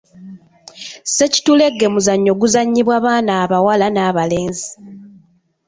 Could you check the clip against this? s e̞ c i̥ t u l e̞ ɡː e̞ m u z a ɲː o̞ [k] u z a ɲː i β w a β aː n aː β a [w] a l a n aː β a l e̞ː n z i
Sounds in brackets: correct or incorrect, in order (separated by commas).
incorrect, correct